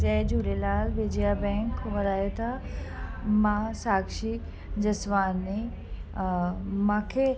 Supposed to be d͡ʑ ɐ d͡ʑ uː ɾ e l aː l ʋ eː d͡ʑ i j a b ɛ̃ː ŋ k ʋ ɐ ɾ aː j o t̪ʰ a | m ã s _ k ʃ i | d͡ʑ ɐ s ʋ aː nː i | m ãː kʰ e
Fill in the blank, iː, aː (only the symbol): aː